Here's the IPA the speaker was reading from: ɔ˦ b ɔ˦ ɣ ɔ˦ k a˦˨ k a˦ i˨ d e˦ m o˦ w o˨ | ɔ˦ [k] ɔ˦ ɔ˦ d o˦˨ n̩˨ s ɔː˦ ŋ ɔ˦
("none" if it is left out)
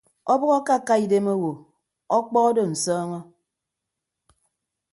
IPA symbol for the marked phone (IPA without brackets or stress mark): k͡p